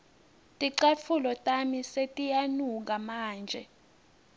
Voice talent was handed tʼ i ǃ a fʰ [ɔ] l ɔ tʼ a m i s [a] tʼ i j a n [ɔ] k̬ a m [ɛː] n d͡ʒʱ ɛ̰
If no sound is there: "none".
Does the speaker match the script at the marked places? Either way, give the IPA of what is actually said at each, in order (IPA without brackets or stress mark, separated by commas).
u, e, u, aː